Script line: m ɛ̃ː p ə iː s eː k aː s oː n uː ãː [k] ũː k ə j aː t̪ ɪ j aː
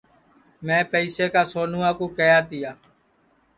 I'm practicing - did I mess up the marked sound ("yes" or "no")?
no